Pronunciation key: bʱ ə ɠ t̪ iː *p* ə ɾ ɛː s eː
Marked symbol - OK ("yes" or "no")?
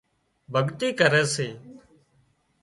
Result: no